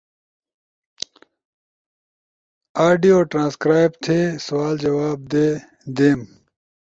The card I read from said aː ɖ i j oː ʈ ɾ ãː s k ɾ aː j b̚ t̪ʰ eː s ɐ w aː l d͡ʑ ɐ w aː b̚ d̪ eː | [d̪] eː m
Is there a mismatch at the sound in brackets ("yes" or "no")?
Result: no